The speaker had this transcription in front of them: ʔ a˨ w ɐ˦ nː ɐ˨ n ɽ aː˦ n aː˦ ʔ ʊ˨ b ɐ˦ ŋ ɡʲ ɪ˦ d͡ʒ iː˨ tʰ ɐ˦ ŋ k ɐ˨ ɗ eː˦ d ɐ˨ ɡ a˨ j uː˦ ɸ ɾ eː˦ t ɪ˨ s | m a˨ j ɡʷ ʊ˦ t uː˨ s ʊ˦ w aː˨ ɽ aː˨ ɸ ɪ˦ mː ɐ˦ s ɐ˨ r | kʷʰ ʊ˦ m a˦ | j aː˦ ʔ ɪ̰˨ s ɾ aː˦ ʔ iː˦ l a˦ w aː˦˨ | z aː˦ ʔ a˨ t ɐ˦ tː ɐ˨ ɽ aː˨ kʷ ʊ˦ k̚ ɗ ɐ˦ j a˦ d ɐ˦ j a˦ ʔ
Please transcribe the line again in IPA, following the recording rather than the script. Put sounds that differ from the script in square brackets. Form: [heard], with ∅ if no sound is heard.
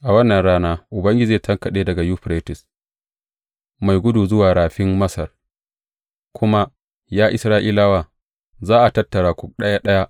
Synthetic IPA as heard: ʔ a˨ w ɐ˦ nː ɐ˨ n ɽ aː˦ n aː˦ ʔ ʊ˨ b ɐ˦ ŋ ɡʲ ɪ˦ d͡ʒ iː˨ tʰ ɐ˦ ŋ k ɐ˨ ɗ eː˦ d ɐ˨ ɡ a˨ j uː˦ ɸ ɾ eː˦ t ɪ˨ s | m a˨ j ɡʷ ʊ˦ [d] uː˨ [z] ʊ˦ w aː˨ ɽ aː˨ ɸ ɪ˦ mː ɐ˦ s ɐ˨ r | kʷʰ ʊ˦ m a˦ | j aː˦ ʔ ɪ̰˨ s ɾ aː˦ ʔ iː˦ l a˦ w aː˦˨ | z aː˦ ʔ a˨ t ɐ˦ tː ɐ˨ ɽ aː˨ kʷ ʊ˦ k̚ ɗ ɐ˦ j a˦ [ɗ] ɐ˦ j a˦ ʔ

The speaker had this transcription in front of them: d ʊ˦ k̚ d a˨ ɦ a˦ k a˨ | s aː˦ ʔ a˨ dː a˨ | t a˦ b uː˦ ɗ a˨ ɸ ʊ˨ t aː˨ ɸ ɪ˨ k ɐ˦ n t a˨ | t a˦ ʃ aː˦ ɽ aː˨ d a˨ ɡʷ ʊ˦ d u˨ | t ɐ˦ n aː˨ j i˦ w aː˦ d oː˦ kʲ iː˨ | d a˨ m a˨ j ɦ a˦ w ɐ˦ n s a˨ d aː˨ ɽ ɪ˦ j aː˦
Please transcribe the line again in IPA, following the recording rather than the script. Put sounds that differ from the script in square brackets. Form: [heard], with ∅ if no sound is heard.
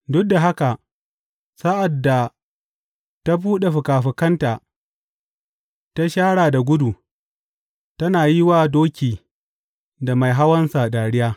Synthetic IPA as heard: d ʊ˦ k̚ d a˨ ɦ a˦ k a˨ | s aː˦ ʔ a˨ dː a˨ | t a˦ b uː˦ ɗ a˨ ɸ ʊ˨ [k] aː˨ ɸ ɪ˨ k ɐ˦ n t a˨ | t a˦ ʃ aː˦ ɽ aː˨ d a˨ ɡʷ ʊ˦ d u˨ | t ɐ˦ n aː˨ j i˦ w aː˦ d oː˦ kʲ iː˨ | d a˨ m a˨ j ɦ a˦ w ɐ˦ n s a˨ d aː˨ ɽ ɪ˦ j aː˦

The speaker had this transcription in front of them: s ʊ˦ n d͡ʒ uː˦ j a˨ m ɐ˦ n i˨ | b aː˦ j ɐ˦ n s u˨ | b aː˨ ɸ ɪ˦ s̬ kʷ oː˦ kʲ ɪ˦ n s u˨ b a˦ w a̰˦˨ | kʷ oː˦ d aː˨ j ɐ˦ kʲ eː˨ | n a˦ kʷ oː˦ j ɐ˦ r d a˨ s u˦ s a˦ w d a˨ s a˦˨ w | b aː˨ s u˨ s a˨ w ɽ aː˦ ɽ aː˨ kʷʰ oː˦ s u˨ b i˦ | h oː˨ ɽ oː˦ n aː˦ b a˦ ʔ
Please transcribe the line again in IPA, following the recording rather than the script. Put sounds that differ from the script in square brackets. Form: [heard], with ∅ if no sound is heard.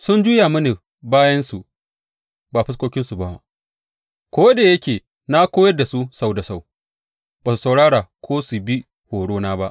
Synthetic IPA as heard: s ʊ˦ n d͡ʒ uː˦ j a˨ m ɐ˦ n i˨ | b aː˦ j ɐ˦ n s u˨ | b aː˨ ɸ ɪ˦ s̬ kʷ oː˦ kʲ ɪ˦ n s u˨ b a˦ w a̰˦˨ | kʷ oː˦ d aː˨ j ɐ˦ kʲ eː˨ | n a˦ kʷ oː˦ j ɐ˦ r d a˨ s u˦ s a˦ w d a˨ s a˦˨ w | b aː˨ s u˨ s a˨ w ɽ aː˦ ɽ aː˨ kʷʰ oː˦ s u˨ b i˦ | h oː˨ ɽ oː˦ n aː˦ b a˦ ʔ

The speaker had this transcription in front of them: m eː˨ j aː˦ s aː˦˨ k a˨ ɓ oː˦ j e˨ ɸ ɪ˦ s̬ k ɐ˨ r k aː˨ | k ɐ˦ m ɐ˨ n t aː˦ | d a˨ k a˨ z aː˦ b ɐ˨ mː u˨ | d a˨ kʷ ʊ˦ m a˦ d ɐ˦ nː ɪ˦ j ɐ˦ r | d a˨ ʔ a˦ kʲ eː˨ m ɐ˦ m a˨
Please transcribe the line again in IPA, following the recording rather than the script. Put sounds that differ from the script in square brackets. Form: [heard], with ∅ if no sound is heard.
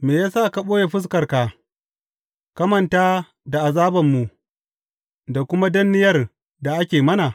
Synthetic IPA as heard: m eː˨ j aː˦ s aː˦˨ k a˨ ɓ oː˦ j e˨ ɸ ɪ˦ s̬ k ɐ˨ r k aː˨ | k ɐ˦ m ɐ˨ n t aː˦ | d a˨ [ʔ] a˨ z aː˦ b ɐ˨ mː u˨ | d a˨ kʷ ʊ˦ m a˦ d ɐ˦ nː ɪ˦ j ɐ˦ r | d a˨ ʔ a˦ kʲ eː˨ m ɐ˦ [n] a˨

